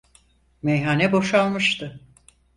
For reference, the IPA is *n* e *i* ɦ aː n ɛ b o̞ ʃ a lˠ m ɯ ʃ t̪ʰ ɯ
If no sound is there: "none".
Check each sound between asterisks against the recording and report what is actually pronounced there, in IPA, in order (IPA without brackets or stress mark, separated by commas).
m, j